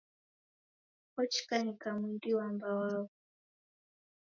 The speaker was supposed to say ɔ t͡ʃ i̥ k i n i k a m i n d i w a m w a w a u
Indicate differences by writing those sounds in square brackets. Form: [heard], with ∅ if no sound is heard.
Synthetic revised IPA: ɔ t͡ʃ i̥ k [a] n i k a m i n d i w a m [b] a w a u